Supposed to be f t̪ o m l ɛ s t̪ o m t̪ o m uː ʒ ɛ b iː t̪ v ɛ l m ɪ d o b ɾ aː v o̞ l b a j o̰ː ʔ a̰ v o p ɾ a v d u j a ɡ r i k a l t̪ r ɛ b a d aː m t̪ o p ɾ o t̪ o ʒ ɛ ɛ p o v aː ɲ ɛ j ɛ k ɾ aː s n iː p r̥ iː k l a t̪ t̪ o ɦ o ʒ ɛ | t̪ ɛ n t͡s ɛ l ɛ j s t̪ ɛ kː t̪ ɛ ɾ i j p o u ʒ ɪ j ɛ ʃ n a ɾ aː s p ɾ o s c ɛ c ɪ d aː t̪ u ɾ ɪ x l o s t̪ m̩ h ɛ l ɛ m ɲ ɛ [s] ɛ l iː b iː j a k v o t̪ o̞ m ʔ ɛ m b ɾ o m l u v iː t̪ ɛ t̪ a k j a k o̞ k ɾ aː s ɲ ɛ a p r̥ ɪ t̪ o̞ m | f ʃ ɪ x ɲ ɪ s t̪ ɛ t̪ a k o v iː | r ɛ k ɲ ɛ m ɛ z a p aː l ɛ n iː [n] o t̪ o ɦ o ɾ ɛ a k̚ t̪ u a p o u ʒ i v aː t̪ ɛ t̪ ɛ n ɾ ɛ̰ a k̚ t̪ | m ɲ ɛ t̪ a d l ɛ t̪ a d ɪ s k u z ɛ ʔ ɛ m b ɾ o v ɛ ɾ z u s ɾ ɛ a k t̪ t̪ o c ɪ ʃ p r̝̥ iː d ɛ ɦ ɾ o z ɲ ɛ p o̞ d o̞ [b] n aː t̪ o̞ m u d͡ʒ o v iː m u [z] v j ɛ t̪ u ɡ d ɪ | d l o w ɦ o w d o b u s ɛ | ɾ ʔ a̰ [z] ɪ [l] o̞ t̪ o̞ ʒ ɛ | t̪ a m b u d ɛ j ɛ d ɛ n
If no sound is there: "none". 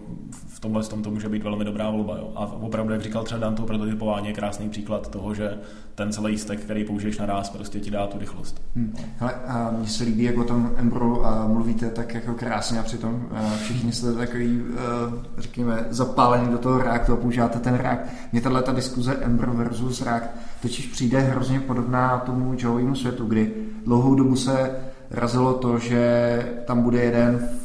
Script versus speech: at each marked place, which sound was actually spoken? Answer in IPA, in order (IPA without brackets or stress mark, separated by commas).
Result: s, d, b, s, z, l